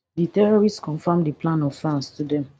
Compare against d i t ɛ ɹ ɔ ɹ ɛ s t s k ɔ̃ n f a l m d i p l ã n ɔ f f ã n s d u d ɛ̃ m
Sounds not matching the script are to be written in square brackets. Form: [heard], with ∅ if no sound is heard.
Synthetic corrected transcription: d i t ɛ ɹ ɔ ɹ [i] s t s k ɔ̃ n f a [∅] m d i p l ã n ɔ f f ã n s [t] u d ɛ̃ m